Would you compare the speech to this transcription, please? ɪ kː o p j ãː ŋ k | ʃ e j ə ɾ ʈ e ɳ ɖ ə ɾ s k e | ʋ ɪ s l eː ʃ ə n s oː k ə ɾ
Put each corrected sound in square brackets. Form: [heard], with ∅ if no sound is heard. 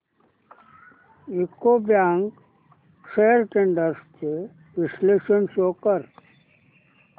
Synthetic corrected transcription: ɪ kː o [b] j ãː ŋ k | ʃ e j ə ɾ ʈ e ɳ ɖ ə ɾ s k e | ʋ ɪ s l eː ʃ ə n s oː k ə ɾ